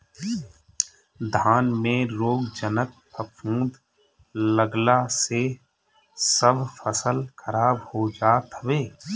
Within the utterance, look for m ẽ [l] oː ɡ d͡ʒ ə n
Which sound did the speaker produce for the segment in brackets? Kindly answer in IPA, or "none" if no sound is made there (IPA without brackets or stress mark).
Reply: ɾ